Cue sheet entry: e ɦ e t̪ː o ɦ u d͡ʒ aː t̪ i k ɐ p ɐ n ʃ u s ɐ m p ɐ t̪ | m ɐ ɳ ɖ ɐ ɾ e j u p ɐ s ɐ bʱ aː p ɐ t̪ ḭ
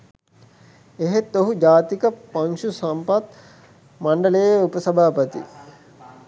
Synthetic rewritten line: e ɦ e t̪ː o ɦ u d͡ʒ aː t̪ i k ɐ p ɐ ŋ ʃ u s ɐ m p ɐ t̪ | m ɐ ɳ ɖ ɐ l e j u p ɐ s ɐ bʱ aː p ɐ t̪ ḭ

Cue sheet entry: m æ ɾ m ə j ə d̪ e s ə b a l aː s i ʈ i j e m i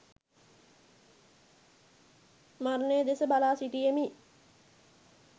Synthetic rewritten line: m a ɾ n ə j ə d̪ e s ə b a l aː s i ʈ i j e m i

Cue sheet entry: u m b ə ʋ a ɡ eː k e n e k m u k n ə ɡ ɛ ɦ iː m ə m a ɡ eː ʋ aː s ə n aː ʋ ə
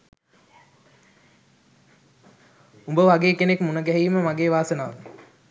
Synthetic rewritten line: u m b ə ʋ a ɡ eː k e n e k m u n ə ɡ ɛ ɦ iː m ə m a ɡ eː ʋ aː s ə n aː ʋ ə

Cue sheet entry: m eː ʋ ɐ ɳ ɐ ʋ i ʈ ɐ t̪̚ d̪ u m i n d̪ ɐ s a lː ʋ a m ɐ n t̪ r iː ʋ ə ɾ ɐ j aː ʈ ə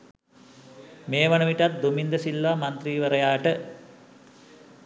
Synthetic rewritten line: m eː ʋ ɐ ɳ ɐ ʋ i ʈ ɐ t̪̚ d̪ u m i n d̪ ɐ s i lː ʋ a m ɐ n t̪ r iː ʋ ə ɾ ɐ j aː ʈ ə

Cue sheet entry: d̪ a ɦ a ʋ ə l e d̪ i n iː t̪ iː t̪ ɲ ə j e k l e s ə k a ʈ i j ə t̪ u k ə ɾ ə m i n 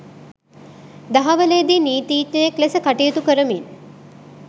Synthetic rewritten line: d̪ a ɦ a ʋ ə l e d̪ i n iː t̪ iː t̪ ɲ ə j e k l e s ə k a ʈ i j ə t̪ u k ə ɾ ə m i n

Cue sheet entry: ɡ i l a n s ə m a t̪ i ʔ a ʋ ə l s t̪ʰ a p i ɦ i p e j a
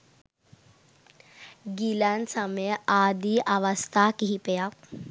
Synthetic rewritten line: ɡ i l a n s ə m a d̪ i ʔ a ʋ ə s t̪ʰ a k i ɦ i p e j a

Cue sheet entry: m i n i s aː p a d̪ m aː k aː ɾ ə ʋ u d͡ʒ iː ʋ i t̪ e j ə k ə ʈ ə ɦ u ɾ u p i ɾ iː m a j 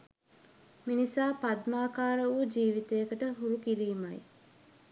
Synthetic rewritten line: m i n i s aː p a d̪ m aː k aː ɾ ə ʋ u d͡ʒ iː ʋ i t̪ e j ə k ə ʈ ə ɦ u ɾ u k i ɾ iː m a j

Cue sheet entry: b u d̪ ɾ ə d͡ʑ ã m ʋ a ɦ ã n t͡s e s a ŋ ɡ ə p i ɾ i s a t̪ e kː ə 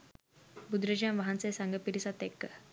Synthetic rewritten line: b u d̪ ɾ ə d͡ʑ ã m ʋ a ɦ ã n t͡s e s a ŋ ɡ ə p i ɾ i s a t̪ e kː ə

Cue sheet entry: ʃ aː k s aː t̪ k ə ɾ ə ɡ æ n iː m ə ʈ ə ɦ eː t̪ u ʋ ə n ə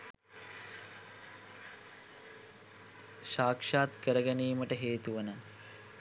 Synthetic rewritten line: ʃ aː k ʂ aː t̪ k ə ɾ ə ɡ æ n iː m ə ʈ ə ɦ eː t̪ u ʋ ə n ə

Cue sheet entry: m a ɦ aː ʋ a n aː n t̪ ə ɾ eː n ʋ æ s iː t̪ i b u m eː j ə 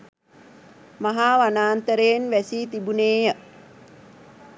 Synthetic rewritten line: m a ɦ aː ʋ a n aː n t̪ ə ɾ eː n ʋ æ s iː t̪ i b u n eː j ə

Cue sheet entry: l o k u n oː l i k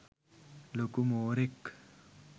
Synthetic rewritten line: l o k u m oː ɾ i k

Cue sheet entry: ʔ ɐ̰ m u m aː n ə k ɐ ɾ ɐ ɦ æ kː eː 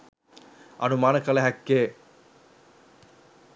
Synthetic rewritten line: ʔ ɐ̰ n u m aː n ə k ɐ l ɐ ɦ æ kː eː

